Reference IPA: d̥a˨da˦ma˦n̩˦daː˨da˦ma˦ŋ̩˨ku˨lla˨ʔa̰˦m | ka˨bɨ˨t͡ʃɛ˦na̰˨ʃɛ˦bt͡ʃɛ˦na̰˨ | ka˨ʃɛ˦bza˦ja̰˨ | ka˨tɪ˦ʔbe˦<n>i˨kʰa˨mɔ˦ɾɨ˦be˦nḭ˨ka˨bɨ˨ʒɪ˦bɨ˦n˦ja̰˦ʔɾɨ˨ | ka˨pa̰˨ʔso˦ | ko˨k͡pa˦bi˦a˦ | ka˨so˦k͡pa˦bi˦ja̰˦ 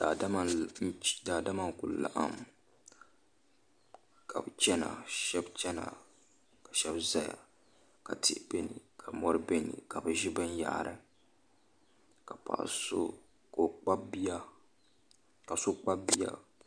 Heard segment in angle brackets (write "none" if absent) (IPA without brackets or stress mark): n